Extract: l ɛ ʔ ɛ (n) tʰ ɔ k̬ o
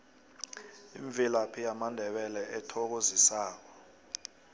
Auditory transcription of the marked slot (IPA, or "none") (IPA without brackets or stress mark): none